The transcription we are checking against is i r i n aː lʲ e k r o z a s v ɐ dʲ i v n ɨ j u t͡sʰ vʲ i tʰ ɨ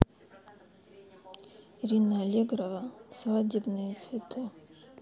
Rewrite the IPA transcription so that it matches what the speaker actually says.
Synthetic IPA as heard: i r i n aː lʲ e ɡ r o v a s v a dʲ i b n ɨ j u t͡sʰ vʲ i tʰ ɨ